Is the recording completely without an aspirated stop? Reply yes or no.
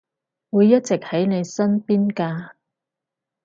yes